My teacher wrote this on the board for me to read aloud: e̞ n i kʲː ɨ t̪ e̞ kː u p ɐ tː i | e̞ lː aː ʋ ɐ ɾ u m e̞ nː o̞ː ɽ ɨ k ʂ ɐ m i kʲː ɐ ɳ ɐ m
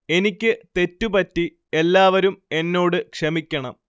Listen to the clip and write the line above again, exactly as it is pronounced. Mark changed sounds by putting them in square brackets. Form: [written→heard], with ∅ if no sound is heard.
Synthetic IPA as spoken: e̞ n i kʲː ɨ t̪ e̞ [kː→tː] u p ɐ tː i | e̞ lː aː ʋ ɐ ɾ u m e̞ nː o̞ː ɽ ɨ k ʂ ɐ m i kʲː ɐ ɳ ɐ m